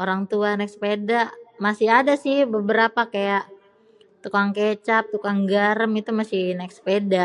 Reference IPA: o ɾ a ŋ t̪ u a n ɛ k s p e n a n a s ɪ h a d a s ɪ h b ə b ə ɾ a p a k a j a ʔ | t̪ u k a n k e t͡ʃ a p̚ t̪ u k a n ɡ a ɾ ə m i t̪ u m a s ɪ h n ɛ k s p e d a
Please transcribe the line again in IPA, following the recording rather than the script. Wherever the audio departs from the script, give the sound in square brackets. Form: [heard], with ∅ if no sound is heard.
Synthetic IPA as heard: o ɾ a ŋ t̪ u a n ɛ k s p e [d] a [m] a s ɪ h a d a s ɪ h b ə b ə ɾ a p a k a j a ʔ | t̪ u k a [ŋ] k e t͡ʃ a p̚ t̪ u k a [ŋ] ɡ a ɾ ə m i t̪ u m a s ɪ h n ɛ k s p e d a